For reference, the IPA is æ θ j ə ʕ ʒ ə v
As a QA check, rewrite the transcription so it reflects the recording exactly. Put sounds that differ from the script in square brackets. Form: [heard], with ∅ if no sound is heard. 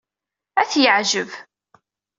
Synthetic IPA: æ θ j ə ʕ ʒ ə v

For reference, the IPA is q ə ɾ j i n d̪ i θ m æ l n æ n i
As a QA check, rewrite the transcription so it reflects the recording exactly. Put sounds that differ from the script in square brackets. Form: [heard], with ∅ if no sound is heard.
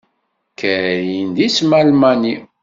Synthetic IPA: [k] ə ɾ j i n d̪ i [s] m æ l [m] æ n i

